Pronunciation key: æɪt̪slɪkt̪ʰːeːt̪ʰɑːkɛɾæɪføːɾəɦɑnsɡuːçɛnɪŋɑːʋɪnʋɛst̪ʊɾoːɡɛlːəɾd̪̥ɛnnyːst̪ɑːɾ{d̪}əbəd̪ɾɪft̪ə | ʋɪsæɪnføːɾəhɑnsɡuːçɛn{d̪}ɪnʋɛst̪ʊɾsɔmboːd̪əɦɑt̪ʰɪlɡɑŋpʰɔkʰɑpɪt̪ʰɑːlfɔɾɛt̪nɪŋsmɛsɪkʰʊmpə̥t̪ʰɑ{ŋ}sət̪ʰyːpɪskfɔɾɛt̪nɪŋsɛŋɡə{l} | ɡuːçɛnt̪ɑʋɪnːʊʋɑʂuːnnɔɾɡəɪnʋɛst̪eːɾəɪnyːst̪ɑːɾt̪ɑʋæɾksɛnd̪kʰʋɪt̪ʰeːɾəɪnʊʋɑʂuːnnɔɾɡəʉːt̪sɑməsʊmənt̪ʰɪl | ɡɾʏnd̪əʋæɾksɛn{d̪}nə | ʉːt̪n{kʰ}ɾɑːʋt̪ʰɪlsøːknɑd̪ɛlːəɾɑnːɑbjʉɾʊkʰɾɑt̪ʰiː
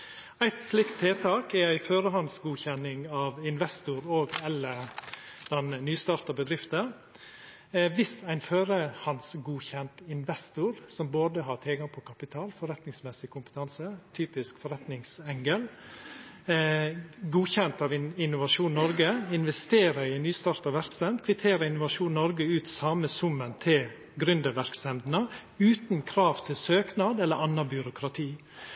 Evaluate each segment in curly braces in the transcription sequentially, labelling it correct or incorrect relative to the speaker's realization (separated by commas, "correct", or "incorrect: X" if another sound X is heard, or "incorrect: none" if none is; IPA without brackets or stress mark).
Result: incorrect: t̪, incorrect: t̪, incorrect: n, correct, correct, correct